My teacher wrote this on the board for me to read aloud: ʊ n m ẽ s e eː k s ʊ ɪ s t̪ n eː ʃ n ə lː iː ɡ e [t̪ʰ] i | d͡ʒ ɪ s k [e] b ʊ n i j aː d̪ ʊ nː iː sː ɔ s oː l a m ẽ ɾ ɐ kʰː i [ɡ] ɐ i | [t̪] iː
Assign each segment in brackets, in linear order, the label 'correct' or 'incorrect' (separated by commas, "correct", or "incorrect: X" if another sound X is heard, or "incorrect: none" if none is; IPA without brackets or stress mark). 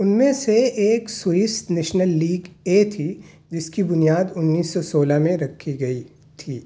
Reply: correct, incorrect: i, correct, incorrect: t̪ʰ